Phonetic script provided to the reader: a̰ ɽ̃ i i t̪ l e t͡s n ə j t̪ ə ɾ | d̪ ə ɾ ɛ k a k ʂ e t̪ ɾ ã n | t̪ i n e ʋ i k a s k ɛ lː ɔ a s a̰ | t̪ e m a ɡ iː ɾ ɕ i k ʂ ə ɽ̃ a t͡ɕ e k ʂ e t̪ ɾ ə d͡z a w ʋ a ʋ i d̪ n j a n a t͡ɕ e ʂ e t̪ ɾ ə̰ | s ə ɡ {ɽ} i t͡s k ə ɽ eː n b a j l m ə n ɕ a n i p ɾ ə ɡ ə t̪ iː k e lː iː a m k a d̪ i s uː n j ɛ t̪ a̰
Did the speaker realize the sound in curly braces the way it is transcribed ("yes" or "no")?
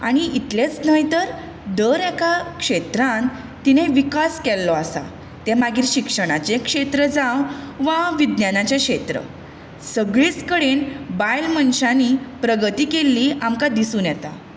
no